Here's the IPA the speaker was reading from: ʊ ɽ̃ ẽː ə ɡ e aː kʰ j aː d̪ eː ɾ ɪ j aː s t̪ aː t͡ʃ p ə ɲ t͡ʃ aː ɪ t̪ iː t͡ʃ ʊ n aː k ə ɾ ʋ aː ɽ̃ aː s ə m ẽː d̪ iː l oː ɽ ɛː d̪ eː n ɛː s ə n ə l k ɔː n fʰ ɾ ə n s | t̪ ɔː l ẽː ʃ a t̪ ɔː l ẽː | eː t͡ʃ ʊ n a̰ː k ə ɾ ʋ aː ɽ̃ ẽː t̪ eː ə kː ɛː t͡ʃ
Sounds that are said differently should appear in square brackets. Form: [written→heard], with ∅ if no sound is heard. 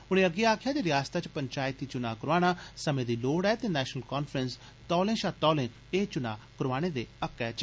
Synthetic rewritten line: ʊ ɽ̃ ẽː ə ɡ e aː kʰ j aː d̪ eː ɾ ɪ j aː s t̪ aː t͡ʃ p ə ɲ t͡ʃ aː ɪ t̪ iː t͡ʃ ʊ n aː k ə ɾ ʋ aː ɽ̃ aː s ə m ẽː d̪ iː l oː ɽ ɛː [d̪→t̪] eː n ɛː [s→ʃ] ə n ə l k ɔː n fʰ ɾ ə n s | t̪ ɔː l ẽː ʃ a t̪ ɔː l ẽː | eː t͡ʃ ʊ n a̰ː k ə ɾ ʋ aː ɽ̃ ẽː [t̪→d̪] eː ə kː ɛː t͡ʃ